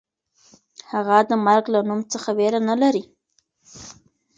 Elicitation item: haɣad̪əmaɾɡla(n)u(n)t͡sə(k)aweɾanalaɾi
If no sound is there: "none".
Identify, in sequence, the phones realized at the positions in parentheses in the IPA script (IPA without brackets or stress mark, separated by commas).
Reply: n, m, x